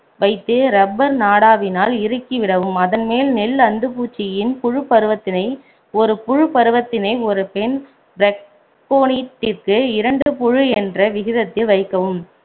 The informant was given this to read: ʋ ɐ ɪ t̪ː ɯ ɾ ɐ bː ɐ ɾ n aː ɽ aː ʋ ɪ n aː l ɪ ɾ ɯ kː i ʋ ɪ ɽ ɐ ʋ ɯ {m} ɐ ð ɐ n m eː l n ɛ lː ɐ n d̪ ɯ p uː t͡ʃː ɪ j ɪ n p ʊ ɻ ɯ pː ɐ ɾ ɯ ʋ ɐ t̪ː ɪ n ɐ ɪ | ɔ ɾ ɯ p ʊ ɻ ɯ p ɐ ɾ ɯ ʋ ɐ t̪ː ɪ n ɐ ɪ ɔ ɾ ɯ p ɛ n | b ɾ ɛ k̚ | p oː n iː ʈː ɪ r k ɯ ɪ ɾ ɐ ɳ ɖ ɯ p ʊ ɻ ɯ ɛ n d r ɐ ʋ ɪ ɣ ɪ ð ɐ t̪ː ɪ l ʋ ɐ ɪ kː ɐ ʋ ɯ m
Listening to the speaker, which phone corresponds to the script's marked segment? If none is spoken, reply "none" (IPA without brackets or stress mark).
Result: m